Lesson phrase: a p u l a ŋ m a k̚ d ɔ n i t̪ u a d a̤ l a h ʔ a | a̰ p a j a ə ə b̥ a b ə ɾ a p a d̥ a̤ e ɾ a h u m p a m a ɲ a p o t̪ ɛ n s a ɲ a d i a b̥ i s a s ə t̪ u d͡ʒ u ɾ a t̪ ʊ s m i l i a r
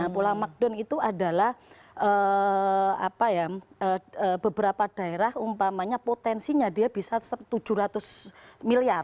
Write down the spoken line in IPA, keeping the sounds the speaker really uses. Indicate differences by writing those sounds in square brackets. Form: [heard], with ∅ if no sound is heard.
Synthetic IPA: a p u l a ŋ m a k̚ d ɔ n i t̪ u a d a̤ l a h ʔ [ə] | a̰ p a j a ə ə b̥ [ə] b ə ɾ a p a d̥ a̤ e ɾ a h u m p a m a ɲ a p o t̪ ɛ n s [i] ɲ a d i a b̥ i s a s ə t̪ u d͡ʒ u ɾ a t̪ ʊ s m i l i a r